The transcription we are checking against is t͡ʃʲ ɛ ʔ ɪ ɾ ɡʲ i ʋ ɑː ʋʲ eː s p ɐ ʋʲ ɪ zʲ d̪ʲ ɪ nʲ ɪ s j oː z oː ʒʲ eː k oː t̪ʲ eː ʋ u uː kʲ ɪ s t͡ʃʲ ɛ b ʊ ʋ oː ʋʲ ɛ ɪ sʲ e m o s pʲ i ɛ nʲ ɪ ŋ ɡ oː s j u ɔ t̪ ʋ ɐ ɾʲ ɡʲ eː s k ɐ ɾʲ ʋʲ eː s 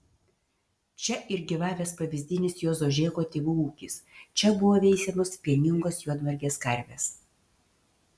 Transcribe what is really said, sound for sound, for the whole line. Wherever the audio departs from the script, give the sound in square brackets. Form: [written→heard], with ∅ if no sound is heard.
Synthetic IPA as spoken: t͡ʃʲ ɛ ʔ ɪ ɾ ɡʲ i ʋ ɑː ʋʲ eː s p ɐ ʋʲ ɪ zʲ d̪ʲ ɪ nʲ ɪ s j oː z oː ʒʲ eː k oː t̪ʲ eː ʋ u uː kʲ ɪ s t͡ʃʲ ɛ b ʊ ʋ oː ʋʲ ɛ ɪ sʲ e m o s pʲ i ɛ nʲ ɪ ŋ ɡ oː s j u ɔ [t̪→d̪] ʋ ɐ ɾʲ ɡʲ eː s k ɐ ɾʲ ʋʲ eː s